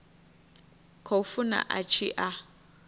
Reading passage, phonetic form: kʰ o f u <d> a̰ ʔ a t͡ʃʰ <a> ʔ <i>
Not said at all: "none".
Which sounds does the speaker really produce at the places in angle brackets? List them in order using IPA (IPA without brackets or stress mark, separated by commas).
n, i, a